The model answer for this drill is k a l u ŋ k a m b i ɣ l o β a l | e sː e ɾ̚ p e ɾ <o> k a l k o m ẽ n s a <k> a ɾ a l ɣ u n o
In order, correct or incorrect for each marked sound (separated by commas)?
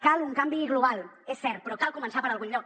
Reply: correct, incorrect